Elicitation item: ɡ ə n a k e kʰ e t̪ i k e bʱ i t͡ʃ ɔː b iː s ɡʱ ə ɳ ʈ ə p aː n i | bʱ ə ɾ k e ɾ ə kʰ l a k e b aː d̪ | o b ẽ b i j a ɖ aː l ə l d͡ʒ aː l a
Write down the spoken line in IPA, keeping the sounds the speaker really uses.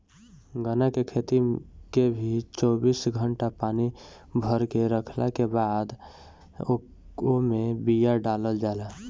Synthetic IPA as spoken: ɡ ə n a k e kʰ e t̪ i k e bʱ i t͡ʃ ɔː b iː s ɡʱ ə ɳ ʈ a p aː n i | bʱ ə ɾ k e ɾ ə kʰ l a k e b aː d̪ | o m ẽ b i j a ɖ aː l ə l d͡ʒ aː l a